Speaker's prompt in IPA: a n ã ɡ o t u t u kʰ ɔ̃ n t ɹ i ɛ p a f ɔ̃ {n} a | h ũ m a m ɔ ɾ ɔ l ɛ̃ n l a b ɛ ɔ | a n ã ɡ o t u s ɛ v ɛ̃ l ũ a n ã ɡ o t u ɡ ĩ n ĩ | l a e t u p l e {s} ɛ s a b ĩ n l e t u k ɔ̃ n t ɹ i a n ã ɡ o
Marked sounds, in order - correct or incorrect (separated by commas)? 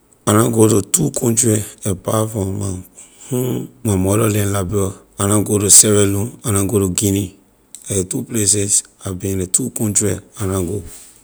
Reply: incorrect, correct